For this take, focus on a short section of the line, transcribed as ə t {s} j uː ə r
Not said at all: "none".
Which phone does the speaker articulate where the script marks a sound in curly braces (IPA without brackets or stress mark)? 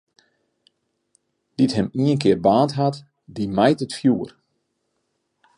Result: f